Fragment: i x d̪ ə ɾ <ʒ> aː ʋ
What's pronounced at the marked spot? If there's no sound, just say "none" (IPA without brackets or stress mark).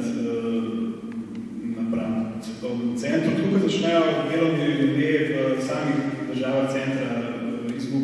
ʒ